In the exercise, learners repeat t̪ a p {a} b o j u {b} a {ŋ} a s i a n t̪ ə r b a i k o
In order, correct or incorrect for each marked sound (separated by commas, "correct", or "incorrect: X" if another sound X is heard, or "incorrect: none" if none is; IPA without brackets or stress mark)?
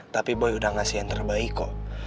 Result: incorrect: i, incorrect: d, correct